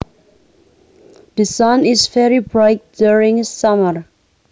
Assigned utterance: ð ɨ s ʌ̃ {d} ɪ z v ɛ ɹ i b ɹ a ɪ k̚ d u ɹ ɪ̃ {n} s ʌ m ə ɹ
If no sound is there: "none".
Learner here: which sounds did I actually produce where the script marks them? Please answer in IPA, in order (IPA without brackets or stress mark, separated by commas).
n, ŋ